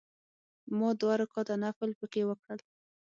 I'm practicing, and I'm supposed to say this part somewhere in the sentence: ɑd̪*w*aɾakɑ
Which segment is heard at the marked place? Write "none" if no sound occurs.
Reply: w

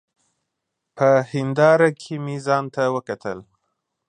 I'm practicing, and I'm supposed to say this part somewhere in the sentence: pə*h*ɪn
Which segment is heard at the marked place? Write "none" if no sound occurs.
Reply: h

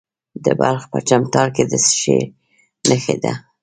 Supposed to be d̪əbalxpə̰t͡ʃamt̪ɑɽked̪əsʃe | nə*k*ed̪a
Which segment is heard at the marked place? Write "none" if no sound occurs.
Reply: x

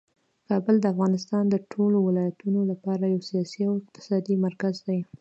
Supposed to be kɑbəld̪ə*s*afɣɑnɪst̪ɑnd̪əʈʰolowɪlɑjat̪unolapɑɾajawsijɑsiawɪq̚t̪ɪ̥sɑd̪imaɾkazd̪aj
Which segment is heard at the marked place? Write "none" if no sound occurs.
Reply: none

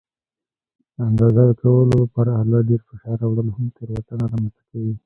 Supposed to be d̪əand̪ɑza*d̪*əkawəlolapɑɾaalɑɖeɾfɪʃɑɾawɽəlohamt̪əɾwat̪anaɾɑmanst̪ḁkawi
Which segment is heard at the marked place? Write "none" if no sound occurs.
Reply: d̪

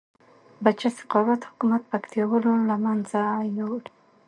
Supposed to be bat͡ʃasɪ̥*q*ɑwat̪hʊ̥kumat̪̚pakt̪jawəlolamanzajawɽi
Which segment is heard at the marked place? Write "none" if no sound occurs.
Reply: q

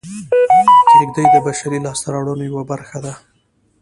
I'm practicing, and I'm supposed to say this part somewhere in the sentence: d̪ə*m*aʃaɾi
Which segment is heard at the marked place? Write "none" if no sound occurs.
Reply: b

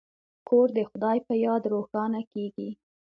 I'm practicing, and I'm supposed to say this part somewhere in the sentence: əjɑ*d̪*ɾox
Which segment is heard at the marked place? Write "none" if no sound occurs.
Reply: d̪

